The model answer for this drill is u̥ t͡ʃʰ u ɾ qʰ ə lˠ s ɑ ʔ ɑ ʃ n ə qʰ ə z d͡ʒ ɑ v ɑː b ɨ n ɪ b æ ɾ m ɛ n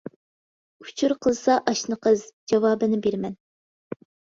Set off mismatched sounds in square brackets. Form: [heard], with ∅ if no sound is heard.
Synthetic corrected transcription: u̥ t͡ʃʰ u ɾ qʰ ə lˠ s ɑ ʔ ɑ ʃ n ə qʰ ə z d͡ʒ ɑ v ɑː b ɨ n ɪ b [e] ɾ m ɛ n